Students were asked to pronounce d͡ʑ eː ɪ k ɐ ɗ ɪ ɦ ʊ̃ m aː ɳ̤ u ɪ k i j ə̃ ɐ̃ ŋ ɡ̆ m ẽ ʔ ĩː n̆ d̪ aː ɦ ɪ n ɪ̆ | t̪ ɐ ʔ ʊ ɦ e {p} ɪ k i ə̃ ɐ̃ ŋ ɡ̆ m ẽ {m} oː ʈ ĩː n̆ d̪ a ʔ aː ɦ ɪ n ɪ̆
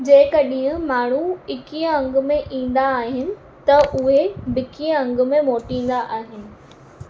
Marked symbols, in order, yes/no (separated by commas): no, yes